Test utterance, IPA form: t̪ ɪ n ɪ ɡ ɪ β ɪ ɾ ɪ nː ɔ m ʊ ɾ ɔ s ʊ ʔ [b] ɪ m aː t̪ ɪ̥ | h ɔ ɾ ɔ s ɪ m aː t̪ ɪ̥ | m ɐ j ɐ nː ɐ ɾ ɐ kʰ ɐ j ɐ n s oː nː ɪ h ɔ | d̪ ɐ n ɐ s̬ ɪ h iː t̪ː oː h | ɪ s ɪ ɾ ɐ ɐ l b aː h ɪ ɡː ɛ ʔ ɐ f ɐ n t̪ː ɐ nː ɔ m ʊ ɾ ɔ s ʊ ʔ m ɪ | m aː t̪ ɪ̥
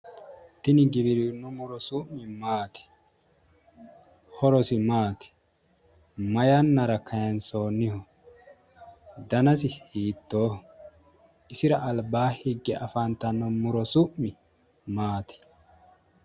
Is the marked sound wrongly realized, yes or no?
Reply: yes